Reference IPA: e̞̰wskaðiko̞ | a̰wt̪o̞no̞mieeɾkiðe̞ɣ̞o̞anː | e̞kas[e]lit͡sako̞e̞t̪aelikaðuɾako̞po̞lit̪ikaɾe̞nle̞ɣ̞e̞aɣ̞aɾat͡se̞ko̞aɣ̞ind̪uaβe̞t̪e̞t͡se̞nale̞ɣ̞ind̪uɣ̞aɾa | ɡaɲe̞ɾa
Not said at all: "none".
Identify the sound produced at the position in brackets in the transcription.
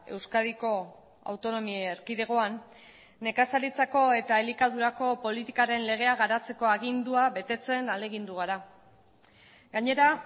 a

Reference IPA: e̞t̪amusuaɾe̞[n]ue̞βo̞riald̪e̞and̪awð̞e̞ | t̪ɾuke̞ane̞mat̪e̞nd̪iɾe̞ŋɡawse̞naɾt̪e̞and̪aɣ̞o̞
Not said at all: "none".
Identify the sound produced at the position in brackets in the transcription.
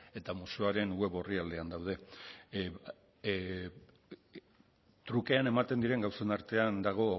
n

